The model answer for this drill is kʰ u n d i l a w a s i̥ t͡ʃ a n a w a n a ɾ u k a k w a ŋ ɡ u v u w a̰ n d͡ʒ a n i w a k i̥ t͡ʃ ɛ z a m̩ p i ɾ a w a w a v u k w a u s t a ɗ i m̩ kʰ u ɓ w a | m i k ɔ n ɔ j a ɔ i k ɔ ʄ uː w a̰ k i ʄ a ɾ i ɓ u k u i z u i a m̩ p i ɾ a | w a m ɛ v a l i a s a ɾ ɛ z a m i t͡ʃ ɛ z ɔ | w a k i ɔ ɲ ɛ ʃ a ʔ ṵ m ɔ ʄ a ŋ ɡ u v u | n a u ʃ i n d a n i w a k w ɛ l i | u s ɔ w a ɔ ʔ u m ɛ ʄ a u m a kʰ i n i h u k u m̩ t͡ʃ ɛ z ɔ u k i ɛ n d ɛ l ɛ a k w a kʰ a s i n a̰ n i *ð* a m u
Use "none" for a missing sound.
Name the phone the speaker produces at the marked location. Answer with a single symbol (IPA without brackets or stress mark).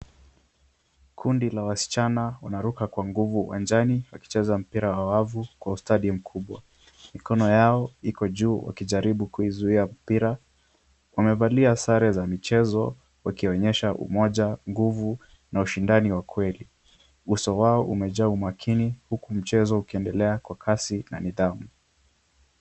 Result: ð